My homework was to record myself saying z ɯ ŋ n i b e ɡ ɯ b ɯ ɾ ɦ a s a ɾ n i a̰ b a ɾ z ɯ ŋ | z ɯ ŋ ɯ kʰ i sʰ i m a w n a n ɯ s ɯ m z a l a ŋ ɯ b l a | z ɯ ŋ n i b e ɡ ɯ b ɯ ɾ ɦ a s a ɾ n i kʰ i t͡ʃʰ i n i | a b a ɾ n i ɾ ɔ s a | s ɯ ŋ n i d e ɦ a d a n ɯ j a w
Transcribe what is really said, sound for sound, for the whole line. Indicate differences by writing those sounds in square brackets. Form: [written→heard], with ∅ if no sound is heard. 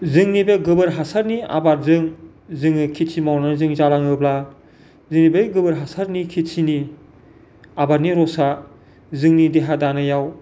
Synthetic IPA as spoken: z ɯ ŋ n i b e ɡ ɯ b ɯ ɾ ɦ a s a ɾ n i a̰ b a ɾ z ɯ ŋ | z ɯ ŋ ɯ kʰ i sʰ i m a w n a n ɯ [s→z] ɯ [m→ŋ] z a l a ŋ ɯ b l a | z ɯ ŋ n i b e ɡ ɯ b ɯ ɾ ɦ a s a ɾ n i kʰ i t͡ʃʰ i n i | a b a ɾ n i ɾ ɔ s a | [s→z] ɯ ŋ n i d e ɦ a d a n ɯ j a w